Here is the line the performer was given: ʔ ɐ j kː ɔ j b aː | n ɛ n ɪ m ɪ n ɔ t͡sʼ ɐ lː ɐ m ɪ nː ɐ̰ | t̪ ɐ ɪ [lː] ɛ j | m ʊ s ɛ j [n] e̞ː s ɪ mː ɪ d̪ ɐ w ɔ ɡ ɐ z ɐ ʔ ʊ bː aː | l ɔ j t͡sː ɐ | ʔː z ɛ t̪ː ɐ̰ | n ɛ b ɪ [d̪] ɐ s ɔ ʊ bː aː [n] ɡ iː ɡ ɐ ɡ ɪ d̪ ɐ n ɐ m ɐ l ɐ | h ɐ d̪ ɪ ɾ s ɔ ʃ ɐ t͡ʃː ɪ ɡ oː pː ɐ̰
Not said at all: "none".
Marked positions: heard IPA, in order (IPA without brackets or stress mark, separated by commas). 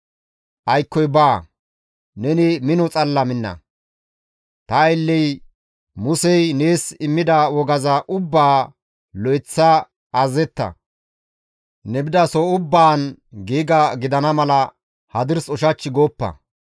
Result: lː, n, d̪, n